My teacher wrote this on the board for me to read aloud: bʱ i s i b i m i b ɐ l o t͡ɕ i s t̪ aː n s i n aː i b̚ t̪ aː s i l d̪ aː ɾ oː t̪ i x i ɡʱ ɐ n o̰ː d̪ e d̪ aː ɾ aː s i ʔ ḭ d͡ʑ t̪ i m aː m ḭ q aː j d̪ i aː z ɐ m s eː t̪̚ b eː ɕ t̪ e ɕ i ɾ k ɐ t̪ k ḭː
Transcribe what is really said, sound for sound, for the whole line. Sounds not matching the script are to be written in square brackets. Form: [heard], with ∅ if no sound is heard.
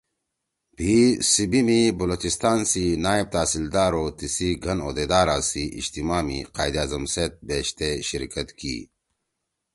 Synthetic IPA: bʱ i s i b i m i b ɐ l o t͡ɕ i s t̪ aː n s i n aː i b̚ t̪ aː s i l d̪ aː ɾ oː t̪ i [s] i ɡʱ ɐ n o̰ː d̪ e d̪ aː ɾ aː s i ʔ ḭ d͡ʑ t̪ i m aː m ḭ q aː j d̪ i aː z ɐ m s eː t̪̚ b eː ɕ t̪ e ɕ i ɾ k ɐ t̪ k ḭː